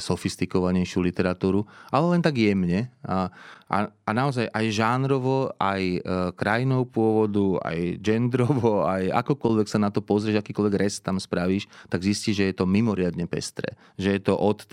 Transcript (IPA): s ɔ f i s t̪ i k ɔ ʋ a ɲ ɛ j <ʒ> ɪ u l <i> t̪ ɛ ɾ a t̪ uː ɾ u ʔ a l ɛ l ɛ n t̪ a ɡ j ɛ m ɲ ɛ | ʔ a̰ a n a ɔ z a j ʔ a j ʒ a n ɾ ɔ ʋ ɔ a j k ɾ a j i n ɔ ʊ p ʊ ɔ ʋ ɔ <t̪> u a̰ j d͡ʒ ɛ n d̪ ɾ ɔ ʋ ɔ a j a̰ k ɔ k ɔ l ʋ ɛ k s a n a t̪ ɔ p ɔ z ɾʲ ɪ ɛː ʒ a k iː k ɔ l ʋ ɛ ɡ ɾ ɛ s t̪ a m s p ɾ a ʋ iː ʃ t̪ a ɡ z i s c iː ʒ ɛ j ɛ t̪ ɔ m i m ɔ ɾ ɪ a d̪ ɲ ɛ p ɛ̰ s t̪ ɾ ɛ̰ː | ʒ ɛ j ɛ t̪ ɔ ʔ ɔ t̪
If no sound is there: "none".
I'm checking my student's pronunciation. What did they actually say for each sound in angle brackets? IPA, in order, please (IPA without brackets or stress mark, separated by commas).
ʃ, i, d̪